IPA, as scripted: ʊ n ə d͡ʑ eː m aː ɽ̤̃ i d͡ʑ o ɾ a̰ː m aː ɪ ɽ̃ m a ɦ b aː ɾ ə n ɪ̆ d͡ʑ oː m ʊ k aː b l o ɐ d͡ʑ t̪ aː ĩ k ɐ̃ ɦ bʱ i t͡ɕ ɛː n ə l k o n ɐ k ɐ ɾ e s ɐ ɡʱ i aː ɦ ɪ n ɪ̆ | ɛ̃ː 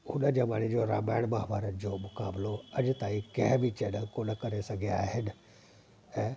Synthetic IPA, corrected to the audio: ʊ n ə d͡ʑ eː m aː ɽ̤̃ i d͡ʑ o ɾ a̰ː m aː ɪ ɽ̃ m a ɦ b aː ɾ ə n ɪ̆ d͡ʑ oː m ʊ k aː b l o ɐ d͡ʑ t̪ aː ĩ k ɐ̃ ɦ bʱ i t͡ɕ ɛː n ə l k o n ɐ k ɐ ɾ e s ɐ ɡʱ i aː ɦ ɪ n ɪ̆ | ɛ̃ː